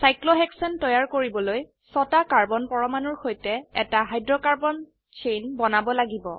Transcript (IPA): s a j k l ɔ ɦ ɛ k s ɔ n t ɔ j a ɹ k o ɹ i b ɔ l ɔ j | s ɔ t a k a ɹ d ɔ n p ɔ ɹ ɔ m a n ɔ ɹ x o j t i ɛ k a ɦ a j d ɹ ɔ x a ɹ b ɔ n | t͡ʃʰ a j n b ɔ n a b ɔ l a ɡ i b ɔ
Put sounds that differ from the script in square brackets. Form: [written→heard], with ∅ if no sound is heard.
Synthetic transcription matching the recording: s a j k l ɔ ɦ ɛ k s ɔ n t ɔ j a ɹ k o ɹ i b ɔ l [ɔ→o] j | s ɔ t a k a ɹ [d→b] ɔ n p ɔ ɹ ɔ m a n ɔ ɹ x o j t [i→ɛ] ɛ [k→t] a ɦ a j d ɹ ɔ [x→k] a ɹ b ɔ n | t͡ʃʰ [a→e] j n b ɔ n a b ɔ l a ɡ i b ɔ